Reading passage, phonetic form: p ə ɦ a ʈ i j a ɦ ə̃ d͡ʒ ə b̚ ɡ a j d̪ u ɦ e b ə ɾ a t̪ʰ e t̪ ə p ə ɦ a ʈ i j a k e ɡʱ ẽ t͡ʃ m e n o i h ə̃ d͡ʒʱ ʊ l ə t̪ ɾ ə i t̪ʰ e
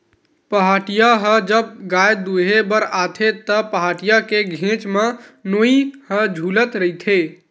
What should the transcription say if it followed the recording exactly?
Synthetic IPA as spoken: p ə ɦ a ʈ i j a ɦ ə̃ d͡ʒ ə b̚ ɡ a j d̪ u ɦ e b ə ɾ a t̪ʰ e t̪ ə p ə ɦ a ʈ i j a k e ɡʱ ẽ t͡ʃ m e n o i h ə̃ d͡ʒʱ u l ə t̪ ɾ ə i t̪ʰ e